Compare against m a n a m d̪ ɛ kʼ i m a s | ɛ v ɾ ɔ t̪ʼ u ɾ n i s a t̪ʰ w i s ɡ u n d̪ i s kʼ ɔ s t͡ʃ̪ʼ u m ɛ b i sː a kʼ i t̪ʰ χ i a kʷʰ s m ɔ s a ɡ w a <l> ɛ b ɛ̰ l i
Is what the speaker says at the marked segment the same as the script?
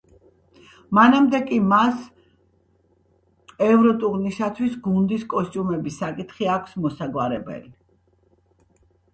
no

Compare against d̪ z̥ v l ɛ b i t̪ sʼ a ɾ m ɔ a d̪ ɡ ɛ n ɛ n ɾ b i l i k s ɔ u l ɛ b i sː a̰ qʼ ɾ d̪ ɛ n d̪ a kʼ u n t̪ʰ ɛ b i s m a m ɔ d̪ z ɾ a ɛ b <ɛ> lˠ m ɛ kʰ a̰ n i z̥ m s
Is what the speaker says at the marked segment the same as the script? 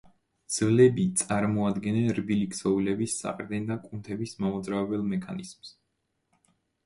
yes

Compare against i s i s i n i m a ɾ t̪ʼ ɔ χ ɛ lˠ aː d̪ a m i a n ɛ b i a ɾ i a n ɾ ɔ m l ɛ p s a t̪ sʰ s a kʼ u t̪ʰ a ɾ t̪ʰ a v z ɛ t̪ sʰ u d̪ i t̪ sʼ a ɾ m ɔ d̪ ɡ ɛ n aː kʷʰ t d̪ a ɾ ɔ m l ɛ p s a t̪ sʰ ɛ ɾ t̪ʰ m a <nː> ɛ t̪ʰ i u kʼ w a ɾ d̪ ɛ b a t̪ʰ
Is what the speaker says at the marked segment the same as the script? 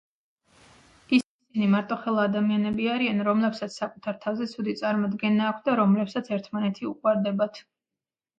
no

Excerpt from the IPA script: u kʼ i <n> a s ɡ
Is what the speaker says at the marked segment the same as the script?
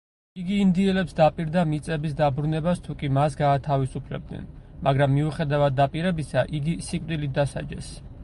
no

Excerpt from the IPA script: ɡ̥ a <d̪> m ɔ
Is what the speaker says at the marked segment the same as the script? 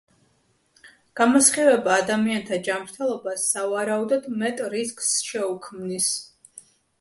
no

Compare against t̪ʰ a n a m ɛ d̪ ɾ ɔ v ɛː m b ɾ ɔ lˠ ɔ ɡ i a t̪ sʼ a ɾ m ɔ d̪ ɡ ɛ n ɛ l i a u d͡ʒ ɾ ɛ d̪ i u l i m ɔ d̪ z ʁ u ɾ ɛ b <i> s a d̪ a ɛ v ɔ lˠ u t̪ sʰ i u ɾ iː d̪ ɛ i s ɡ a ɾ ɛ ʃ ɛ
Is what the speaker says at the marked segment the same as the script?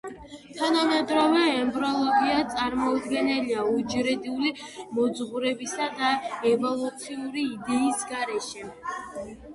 yes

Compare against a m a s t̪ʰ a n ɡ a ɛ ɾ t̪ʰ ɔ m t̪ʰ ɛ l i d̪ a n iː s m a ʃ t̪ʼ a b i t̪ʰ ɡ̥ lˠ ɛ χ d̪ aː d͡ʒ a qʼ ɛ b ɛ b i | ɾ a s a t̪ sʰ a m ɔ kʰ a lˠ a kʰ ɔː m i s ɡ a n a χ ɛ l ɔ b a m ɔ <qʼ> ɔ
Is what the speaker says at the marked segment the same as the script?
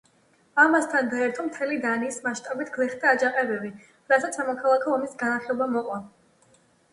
yes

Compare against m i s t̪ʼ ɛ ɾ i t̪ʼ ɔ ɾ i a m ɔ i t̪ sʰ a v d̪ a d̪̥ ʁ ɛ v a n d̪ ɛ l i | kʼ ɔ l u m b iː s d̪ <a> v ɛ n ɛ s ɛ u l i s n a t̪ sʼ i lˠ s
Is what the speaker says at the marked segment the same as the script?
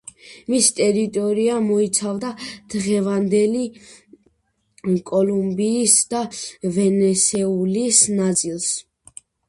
yes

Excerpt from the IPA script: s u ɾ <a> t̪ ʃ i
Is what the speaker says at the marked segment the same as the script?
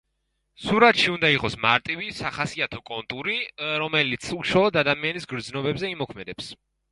yes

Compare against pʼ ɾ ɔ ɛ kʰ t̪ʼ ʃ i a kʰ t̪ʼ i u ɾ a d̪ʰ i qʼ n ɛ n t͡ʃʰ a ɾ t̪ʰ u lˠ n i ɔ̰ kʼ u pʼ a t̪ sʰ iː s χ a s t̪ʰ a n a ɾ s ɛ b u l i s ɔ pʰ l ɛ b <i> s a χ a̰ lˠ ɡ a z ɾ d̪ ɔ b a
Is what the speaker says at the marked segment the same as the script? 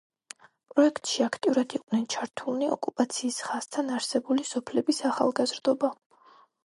yes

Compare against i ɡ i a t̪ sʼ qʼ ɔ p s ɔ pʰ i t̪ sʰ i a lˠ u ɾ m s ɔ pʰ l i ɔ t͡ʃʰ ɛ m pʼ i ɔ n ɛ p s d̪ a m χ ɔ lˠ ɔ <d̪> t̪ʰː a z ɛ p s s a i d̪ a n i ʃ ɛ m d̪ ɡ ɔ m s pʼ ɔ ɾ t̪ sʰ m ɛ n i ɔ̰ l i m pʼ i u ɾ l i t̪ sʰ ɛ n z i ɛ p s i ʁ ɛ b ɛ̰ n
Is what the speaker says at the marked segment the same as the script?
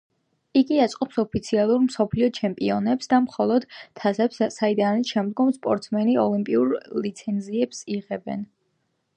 yes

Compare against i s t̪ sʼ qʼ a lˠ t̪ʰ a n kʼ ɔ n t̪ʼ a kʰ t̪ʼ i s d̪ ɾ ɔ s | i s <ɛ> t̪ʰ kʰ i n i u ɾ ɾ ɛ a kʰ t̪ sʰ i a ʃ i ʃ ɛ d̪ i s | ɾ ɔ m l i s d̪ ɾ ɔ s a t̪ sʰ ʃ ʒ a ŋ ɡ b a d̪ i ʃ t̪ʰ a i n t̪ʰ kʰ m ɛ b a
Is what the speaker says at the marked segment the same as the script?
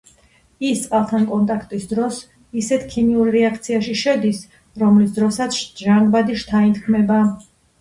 yes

